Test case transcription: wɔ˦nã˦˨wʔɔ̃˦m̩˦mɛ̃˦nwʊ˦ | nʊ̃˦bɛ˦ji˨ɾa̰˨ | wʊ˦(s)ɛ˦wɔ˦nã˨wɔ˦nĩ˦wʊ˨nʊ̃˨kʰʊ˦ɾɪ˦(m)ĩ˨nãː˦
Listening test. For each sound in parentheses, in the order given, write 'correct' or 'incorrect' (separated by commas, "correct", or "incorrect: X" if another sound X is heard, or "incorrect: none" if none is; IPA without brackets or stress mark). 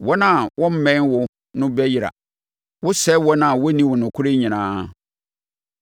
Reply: correct, incorrect: ɲ